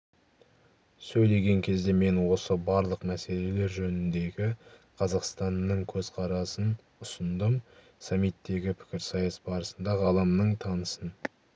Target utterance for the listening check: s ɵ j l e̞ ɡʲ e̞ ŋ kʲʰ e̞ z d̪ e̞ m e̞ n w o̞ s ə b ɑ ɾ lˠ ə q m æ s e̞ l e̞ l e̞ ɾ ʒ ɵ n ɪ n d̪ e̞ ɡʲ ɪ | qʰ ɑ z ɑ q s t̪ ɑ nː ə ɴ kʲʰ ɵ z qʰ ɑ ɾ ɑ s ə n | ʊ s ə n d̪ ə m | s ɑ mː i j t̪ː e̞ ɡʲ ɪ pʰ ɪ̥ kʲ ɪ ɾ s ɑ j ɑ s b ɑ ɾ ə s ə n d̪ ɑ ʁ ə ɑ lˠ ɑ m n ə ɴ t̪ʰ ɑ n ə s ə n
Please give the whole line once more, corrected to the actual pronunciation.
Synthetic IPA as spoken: s ɵ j l e̞ ɡʲ e̞ ŋ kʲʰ e̞ z d̪ e̞ m e̞ n w o̞ s ə b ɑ ɾ lˠ ə q m æ s e̞ l e̞ l e̞ ɾ ʒ ɵ n ɪ n d̪ e̞ ɡʲ ɪ | qʰ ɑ z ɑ q s t̪ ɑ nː ə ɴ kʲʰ ɵ z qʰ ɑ ɾ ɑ s ə n | ʊ s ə n d̪ ə m | s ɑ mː i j t̪ː e̞ ɡʲ ɪ pʰ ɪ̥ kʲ ɪ ɾ s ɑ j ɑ s b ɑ ɾ ə s ə n d̪ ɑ ʁ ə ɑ lˠ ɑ m n ə ɴ t̪ʰ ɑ n ə s ə n